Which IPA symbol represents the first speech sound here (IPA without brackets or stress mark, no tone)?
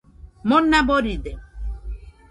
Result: m